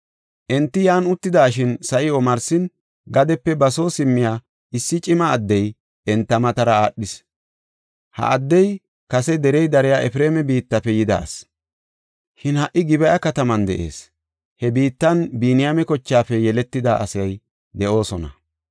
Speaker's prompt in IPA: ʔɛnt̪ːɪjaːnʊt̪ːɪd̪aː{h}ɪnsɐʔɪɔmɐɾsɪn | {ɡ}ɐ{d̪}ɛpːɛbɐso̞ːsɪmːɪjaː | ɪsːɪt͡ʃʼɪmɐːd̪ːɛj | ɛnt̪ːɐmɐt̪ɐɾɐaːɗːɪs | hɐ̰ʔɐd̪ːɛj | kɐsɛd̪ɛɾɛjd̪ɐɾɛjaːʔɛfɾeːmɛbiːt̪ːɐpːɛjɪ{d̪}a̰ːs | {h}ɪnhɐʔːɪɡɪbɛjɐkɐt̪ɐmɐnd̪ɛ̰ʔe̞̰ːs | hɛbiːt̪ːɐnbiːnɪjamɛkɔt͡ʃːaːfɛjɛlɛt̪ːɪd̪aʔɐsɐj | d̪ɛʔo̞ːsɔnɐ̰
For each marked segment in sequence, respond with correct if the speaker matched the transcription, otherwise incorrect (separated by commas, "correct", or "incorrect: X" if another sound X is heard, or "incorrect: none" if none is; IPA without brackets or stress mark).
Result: incorrect: ʃ, correct, correct, correct, incorrect: ʃ